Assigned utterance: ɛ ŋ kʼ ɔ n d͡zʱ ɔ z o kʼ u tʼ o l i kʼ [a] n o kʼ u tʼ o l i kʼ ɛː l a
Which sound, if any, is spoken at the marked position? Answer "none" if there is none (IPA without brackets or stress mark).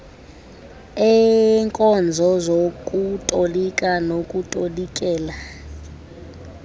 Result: a